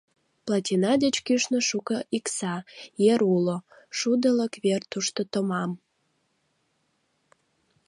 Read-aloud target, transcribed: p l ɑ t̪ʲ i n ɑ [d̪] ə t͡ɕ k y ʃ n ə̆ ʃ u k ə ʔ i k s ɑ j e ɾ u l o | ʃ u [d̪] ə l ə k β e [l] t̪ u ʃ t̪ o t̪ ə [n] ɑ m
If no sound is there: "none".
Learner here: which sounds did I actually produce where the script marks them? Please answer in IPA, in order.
d̪, d̪, r, m

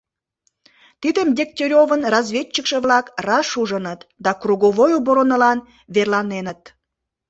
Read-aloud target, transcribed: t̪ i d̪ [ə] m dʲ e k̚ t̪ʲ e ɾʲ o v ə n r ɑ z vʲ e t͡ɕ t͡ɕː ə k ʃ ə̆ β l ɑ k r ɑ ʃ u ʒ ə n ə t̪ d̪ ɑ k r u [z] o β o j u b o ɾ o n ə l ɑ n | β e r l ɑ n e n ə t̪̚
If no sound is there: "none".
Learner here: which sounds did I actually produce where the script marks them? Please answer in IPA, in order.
ə, ɣ

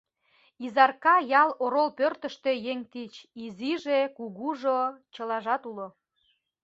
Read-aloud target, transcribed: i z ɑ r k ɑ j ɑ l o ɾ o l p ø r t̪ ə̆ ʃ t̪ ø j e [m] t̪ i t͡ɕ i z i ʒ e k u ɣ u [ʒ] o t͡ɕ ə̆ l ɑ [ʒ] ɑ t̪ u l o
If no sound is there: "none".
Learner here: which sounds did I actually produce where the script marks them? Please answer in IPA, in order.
ŋ, ʒ, ʒ

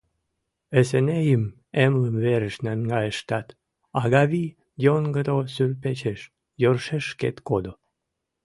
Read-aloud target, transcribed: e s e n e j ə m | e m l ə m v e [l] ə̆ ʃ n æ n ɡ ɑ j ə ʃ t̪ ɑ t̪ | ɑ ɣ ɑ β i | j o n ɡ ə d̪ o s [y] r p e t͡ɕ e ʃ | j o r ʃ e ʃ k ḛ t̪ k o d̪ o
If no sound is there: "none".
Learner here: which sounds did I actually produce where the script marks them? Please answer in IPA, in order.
ɾ, y

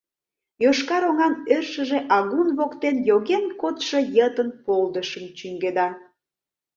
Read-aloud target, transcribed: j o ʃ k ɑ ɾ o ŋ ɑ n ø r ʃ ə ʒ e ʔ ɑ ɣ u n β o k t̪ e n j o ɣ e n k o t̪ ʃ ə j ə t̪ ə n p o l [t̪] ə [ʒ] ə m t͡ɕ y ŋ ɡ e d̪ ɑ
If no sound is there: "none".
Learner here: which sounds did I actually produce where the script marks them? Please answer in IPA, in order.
d̪, ʃ

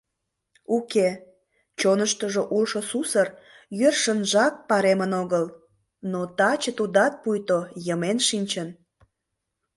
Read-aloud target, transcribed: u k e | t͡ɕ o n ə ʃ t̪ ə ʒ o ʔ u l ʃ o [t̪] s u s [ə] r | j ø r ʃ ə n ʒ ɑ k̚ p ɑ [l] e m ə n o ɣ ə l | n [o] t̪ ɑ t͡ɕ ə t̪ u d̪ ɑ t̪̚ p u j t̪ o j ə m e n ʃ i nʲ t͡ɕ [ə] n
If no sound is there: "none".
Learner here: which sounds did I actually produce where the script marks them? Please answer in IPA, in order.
none, ə, ɾ, o, ə

